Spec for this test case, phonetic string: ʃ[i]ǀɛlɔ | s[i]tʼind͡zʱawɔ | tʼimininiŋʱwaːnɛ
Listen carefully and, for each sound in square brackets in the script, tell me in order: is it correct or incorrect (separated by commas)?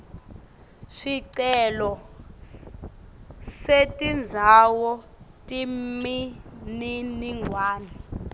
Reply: correct, incorrect